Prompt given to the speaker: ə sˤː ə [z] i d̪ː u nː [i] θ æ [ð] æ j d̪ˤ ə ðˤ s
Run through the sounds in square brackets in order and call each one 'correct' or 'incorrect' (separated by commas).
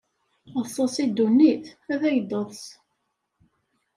incorrect, correct, correct